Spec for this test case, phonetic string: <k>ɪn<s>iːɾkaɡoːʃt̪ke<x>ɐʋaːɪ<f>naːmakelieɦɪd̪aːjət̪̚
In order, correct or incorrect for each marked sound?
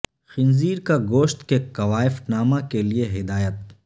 incorrect: x, incorrect: z, incorrect: k, correct

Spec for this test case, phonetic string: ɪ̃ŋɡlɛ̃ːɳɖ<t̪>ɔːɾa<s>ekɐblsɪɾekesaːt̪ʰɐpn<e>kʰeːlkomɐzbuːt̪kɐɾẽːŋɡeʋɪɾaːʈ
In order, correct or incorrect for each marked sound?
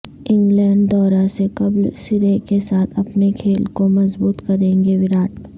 incorrect: d̪, correct, correct

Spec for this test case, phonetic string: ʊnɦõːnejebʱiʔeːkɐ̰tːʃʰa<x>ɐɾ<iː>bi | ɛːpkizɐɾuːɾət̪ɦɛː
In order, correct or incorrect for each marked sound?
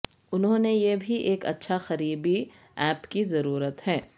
correct, correct

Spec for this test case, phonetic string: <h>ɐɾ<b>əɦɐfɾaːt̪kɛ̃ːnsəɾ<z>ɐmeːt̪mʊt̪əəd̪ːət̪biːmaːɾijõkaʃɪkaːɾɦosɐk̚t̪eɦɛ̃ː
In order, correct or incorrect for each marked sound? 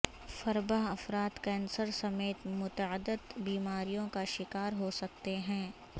incorrect: f, correct, incorrect: s

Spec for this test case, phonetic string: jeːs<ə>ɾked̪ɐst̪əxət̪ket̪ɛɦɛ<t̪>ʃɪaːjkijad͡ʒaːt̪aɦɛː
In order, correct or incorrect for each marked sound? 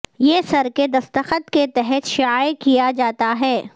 incorrect: ɐ, correct

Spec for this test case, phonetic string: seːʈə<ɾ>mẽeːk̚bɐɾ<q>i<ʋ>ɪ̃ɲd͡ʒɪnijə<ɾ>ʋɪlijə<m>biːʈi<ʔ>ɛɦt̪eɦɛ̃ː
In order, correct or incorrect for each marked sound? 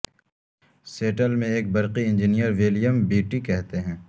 incorrect: l, correct, incorrect: none, correct, correct, incorrect: k

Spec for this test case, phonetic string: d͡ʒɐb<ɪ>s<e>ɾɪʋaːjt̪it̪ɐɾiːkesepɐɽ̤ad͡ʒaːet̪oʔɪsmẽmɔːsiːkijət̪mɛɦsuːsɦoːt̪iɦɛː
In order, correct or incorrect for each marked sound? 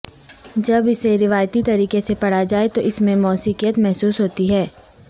correct, correct

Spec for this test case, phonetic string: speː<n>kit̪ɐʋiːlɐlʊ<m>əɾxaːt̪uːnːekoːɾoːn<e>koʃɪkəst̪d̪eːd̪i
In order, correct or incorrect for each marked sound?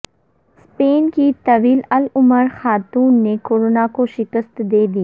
correct, correct, incorrect: a

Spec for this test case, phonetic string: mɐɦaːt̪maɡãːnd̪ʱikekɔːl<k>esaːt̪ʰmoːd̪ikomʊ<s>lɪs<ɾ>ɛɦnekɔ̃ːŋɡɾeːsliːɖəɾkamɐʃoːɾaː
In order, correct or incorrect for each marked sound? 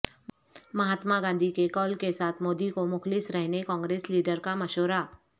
correct, incorrect: x, correct

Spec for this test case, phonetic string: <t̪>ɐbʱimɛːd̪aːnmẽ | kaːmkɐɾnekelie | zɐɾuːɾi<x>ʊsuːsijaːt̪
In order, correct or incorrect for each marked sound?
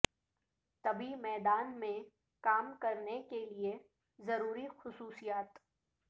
correct, correct

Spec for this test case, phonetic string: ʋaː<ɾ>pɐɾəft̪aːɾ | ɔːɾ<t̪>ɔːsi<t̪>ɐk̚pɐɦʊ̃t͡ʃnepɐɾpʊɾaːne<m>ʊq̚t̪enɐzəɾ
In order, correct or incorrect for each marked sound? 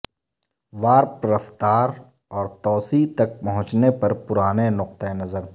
correct, correct, correct, incorrect: n

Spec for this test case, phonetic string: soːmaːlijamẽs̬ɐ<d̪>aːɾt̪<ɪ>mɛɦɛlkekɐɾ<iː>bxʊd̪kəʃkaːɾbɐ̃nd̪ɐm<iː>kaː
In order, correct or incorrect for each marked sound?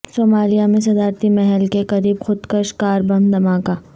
correct, incorrect: i, correct, incorrect: aː

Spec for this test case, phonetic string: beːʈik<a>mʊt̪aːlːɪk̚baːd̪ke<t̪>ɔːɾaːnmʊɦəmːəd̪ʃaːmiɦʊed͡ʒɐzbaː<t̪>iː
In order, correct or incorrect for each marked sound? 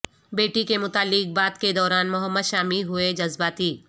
incorrect: e, incorrect: d̪, correct

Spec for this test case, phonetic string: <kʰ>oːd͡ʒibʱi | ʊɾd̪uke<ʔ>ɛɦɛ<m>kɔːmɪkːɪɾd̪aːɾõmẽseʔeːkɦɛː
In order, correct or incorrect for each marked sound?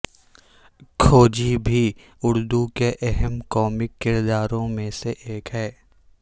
correct, correct, correct

